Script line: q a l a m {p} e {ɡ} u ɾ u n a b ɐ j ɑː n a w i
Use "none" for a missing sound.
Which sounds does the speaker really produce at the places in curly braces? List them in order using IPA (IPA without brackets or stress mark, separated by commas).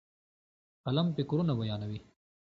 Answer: p, k